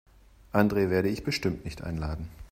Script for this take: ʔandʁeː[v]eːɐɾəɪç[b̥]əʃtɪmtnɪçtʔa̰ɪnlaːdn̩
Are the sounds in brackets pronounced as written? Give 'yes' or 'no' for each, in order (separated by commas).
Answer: yes, yes